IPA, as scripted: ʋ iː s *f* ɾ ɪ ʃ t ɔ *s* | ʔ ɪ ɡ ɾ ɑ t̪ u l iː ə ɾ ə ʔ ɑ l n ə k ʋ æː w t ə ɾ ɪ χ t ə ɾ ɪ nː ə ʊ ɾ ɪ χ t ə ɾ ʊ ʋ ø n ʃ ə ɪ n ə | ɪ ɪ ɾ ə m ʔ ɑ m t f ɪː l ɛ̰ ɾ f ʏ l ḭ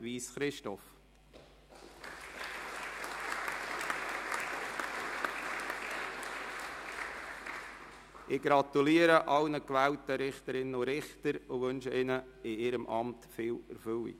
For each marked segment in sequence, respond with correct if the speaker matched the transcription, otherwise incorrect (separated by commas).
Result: incorrect, incorrect